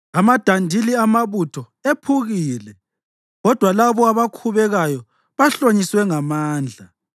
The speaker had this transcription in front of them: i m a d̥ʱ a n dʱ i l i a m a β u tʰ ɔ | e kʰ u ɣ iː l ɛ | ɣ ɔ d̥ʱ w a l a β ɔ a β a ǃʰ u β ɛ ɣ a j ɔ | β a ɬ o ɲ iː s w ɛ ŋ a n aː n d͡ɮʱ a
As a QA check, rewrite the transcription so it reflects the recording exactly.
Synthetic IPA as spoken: a m a d̥ʱ a n dʱ i l i a m a β u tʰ ɔ | e pʰ u ɣ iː l ɛ | ɣ ɔ d̥ʱ w a l a β ɔ a β a kʰ u β ɛ ɣ a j ɔ | β a ɬ o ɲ i s w ɛ ŋ a m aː n d͡ɮʱ a